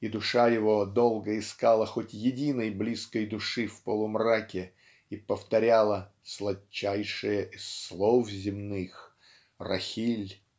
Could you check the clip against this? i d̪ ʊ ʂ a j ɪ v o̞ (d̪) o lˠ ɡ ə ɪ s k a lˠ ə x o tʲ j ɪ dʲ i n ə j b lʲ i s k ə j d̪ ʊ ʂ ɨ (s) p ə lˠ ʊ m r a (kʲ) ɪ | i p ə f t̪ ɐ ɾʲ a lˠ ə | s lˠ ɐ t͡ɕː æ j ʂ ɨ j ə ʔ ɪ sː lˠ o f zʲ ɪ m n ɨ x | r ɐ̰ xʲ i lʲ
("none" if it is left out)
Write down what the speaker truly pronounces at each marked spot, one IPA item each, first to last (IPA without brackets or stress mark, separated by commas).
d̪, f, kʲ